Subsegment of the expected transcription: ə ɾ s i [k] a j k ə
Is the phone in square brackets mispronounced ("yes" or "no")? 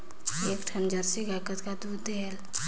yes